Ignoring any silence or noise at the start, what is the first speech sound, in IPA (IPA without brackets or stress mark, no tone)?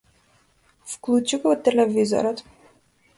f